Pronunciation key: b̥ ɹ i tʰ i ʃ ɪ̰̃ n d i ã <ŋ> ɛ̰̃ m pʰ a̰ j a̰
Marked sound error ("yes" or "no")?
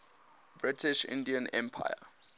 yes